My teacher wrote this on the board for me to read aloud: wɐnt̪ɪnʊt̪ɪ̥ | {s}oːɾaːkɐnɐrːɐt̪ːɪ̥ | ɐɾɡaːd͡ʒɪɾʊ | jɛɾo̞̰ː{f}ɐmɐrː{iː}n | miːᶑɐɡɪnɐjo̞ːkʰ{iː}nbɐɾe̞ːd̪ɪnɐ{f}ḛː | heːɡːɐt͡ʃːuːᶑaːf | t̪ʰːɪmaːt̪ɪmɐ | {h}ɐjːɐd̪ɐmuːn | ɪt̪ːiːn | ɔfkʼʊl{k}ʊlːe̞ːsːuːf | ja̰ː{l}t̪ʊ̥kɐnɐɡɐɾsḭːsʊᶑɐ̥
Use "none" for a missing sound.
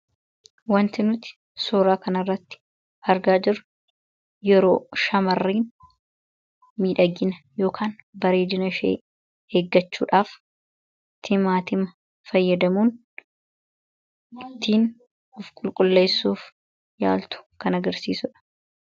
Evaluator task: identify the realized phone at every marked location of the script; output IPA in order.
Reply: s, ʃ, iː, aː, ʃ, f, kʼ, l

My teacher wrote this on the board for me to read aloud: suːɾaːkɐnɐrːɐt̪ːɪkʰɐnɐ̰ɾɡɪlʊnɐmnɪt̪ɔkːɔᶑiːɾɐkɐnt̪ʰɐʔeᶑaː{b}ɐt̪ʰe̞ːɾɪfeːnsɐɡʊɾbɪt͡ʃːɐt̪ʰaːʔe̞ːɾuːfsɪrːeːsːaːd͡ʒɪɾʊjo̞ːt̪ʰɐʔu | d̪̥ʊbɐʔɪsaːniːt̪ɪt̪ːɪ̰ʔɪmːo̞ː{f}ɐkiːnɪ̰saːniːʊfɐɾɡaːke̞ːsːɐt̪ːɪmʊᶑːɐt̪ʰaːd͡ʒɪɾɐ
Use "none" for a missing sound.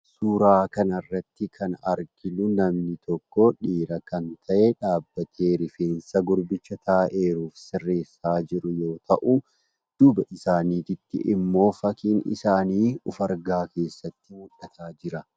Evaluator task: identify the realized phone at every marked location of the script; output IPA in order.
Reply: bː, f

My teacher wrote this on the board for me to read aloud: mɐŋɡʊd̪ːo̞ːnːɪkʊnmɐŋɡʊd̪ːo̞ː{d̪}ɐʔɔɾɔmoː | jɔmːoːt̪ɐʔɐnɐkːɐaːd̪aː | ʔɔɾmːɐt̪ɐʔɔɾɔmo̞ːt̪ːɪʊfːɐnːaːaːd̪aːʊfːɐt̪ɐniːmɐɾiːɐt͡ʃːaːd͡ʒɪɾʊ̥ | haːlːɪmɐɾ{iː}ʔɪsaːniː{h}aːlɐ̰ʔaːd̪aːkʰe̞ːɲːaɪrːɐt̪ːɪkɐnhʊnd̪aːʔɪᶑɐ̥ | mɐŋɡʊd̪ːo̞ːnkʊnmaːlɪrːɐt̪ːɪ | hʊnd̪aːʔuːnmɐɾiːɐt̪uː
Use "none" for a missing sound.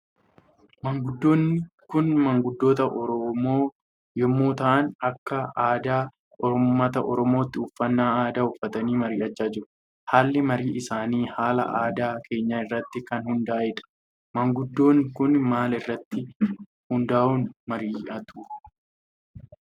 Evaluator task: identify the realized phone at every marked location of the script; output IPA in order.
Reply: t̪, iː, h

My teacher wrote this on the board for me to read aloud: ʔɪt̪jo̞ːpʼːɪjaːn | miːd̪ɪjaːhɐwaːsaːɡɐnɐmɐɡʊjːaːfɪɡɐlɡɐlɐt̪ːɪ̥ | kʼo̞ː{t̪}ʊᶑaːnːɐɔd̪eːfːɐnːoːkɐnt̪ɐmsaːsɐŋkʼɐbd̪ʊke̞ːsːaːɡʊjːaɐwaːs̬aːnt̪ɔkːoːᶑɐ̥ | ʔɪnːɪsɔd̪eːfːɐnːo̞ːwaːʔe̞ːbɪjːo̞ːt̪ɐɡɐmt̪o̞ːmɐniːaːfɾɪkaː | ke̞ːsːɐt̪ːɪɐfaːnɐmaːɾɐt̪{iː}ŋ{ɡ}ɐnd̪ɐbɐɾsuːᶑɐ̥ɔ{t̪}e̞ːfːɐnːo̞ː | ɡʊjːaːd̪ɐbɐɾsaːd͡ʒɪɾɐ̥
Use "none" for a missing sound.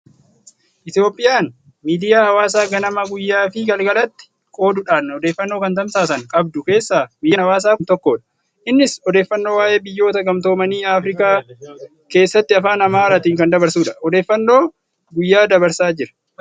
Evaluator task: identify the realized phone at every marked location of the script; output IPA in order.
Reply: d̪, iː, k, d̪

